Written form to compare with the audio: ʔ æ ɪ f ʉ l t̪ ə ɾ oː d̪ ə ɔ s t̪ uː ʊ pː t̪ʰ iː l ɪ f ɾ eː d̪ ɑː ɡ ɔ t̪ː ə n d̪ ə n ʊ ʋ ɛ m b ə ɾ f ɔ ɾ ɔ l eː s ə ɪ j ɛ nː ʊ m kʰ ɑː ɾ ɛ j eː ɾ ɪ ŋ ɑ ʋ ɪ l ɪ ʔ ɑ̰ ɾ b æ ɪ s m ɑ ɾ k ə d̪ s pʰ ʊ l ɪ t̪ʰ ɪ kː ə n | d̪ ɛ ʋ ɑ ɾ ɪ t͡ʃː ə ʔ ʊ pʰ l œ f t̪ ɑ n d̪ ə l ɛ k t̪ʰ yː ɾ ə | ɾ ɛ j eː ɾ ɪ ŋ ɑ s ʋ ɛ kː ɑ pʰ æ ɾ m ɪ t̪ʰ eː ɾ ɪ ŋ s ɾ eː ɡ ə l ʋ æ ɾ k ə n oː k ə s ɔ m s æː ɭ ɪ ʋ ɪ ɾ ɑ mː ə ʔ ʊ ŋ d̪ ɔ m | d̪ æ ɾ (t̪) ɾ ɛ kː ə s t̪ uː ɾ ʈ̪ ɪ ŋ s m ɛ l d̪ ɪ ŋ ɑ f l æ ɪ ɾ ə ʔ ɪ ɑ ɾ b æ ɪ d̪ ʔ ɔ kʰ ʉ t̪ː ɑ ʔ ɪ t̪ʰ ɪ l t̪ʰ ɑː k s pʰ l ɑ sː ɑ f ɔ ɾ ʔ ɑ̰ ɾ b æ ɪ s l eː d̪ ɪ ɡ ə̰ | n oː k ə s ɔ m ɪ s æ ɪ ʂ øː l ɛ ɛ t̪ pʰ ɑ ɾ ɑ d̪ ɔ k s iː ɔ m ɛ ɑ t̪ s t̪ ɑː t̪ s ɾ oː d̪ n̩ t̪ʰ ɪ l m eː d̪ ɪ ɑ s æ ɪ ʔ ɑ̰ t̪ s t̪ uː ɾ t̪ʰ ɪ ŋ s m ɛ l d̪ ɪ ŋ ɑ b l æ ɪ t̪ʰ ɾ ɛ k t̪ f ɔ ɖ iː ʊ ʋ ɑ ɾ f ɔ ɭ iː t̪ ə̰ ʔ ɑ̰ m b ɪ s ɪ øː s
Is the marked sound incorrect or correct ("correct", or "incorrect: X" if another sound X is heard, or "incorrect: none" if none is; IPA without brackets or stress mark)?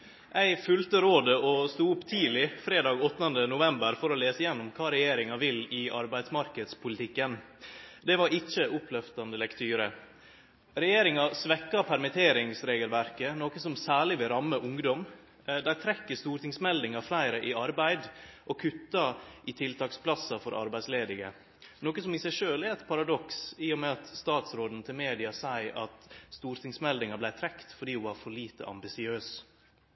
incorrect: t̪ʰ